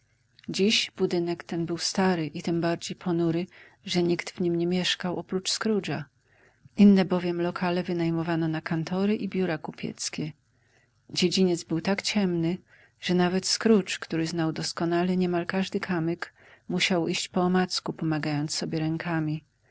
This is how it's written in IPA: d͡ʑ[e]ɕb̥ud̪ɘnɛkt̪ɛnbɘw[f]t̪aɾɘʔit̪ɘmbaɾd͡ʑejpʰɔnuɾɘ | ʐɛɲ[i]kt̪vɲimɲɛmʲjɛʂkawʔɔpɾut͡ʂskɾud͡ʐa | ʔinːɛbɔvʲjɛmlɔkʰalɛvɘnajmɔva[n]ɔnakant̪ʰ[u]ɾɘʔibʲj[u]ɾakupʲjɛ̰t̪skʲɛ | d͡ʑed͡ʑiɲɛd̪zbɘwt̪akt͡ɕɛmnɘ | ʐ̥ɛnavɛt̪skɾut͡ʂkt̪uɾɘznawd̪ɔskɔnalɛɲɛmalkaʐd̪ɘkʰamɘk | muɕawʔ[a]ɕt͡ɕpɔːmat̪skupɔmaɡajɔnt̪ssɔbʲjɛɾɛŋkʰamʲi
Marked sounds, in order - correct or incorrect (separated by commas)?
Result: incorrect, incorrect, correct, correct, incorrect, correct, incorrect